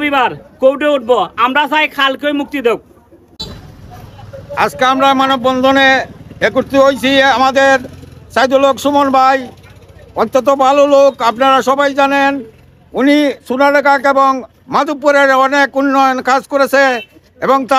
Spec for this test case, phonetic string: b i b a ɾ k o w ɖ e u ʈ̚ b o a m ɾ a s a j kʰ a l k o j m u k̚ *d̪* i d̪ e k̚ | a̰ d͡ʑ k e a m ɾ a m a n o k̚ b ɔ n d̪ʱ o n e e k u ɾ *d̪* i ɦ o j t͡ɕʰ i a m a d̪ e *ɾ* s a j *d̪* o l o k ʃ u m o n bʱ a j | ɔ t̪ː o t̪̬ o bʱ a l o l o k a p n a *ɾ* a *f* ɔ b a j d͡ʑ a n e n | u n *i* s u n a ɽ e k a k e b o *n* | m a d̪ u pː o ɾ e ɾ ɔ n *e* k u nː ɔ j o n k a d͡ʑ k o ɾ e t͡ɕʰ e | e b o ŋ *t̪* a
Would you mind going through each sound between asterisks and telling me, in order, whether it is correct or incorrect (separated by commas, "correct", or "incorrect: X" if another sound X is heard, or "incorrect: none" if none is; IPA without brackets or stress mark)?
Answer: incorrect: t̪, incorrect: t̪, correct, correct, correct, incorrect: ʃ, correct, incorrect: ŋ, correct, correct